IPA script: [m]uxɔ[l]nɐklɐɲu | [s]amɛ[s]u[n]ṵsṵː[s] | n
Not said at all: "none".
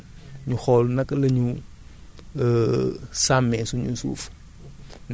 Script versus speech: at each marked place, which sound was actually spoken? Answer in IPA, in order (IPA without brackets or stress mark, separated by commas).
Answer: ɲ, l, s, s, ɲ, f